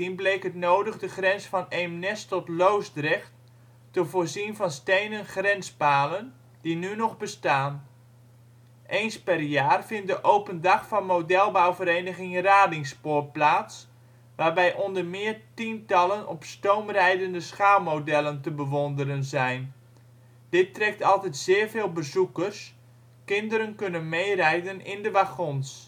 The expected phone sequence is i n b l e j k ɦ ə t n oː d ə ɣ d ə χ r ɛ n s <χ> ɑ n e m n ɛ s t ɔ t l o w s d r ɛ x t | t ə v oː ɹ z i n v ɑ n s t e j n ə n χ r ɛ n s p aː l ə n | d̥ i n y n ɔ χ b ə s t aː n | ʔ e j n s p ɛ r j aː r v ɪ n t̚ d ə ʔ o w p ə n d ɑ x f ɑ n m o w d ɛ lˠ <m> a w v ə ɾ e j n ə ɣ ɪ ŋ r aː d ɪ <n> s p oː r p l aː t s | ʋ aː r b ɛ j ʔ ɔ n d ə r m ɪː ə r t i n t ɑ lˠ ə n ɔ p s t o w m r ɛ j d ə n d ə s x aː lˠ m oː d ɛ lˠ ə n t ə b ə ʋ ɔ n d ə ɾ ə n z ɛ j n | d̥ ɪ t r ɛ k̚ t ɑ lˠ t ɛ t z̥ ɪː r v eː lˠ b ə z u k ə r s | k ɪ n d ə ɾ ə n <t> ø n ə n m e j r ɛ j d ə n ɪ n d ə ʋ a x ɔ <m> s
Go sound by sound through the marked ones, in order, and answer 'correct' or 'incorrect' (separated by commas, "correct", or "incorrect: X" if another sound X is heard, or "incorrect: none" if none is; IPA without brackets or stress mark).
incorrect: f, incorrect: b, incorrect: ŋ, incorrect: k, incorrect: n